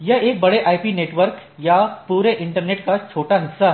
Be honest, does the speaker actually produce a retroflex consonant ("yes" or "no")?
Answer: yes